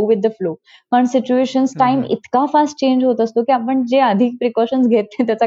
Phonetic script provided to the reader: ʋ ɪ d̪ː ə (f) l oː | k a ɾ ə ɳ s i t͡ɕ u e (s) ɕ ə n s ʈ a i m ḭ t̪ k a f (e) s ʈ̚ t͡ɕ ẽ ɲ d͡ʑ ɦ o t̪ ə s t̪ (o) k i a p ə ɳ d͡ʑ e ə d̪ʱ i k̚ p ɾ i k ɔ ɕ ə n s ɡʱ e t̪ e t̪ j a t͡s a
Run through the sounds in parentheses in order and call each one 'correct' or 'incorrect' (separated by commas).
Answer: correct, incorrect, incorrect, correct